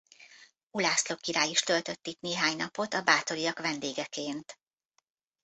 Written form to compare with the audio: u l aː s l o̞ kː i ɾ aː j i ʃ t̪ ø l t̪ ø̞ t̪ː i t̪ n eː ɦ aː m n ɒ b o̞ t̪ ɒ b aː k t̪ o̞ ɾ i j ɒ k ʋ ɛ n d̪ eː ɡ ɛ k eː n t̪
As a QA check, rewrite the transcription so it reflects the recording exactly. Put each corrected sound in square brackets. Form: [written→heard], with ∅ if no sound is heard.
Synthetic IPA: u l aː s l o̞ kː i ɾ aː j i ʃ t̪ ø l t̪ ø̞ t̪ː i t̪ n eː ɦ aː [m→ɲ] n ɒ [b→p] o̞ t̪ ɒ b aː [k→∅] t̪ o̞ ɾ i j ɒ k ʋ ɛ n d̪ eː ɡ ɛ k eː n t̪